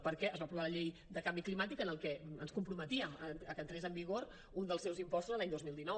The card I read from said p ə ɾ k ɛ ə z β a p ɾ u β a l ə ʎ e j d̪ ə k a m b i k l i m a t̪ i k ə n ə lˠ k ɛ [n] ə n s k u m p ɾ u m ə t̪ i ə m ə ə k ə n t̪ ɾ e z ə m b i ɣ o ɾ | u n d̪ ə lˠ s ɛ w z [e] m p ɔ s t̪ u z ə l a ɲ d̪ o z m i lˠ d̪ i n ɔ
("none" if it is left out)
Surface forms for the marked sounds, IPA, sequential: none, i

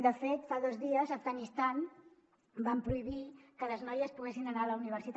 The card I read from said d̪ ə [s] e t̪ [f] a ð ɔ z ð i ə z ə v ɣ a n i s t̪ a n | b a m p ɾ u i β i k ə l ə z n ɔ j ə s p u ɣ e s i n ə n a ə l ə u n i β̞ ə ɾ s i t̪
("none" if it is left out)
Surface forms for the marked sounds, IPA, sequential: f, f

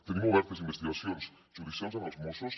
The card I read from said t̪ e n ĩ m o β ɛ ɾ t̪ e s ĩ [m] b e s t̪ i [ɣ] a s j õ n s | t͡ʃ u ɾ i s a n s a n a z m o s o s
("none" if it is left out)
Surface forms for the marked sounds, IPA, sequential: m, ɣ

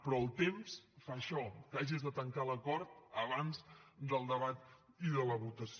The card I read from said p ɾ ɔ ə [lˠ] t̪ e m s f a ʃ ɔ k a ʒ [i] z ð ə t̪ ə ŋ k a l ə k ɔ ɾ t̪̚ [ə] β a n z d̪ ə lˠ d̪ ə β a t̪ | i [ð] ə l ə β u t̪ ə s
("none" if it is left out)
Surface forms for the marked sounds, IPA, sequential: lˠ, i, ə, ð

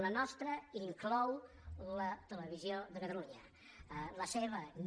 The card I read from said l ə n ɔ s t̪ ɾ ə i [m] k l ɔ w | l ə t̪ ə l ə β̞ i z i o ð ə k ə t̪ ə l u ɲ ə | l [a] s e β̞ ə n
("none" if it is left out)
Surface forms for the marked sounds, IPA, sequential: ŋ, ə

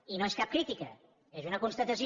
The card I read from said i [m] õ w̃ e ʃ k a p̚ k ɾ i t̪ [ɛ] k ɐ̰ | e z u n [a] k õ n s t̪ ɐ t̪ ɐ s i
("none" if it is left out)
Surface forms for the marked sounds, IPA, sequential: n, i, ɐ

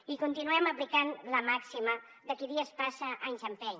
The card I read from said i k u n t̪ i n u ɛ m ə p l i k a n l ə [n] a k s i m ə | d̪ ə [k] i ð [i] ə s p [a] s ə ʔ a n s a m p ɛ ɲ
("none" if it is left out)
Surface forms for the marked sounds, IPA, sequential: m, k, i, a

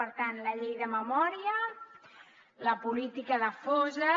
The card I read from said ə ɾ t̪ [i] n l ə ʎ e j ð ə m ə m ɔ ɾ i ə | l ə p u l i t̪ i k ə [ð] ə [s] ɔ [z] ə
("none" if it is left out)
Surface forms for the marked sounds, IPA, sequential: a, ð, f, z

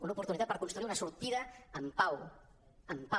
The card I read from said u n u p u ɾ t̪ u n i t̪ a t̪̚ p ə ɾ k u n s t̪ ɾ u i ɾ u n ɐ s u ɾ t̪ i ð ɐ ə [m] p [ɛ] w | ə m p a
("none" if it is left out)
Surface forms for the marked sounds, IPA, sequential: m, a

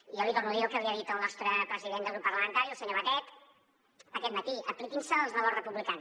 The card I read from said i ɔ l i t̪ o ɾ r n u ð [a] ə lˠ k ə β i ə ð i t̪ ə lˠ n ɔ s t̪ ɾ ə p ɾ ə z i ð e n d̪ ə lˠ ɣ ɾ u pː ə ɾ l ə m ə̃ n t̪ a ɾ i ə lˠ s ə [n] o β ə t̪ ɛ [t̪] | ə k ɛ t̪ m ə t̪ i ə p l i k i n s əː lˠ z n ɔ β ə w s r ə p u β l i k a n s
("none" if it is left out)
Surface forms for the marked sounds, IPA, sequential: i, ɲ, t̪

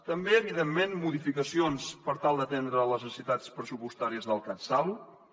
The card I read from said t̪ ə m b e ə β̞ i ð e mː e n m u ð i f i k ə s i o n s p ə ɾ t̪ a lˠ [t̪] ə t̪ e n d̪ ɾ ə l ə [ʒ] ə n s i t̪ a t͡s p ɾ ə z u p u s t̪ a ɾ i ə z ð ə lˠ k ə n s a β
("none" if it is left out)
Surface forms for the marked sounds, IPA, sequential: d̪, z

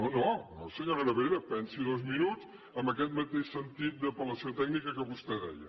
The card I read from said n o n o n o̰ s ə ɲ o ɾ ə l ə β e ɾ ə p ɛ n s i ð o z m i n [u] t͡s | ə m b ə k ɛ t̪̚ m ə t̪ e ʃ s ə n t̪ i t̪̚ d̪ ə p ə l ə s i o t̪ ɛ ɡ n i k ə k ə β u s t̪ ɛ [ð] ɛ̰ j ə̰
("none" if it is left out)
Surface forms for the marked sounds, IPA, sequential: u, ð

